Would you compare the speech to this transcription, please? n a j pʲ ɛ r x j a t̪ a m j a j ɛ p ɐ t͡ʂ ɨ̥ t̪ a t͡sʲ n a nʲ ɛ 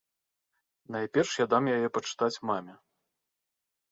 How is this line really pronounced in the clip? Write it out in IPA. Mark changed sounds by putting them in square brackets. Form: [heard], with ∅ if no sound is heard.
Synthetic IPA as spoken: n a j pʲ ɛ r [ʂ] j a [d̪] a m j a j ɛ p ɐ t͡ʂ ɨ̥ t̪ a t͡sʲ [m] a [mʲ] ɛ